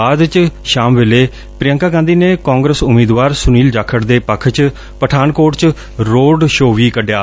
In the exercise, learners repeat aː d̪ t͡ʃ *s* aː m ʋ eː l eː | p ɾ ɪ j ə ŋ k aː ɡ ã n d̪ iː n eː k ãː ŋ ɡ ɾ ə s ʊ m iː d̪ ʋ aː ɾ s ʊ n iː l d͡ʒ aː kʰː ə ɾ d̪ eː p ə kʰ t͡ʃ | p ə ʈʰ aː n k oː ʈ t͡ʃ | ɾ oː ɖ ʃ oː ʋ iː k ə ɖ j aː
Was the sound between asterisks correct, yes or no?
no